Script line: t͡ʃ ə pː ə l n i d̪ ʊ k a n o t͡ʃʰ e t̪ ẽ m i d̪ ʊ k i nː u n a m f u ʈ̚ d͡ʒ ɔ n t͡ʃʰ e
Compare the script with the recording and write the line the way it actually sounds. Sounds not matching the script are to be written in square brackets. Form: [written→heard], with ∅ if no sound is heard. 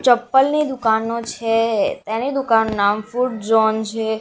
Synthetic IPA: t͡ʃ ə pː ə l n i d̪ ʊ k a n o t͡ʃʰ e t̪ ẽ [m→n] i d̪ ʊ k [i→a] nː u n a m f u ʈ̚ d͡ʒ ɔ n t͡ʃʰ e